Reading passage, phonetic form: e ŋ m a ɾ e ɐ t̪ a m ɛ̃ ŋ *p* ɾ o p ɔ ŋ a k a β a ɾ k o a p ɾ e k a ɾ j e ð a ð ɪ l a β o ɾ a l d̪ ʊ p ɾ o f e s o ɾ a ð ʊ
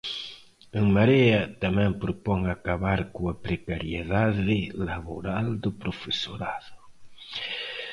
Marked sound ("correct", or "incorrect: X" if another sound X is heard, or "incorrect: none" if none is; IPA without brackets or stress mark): correct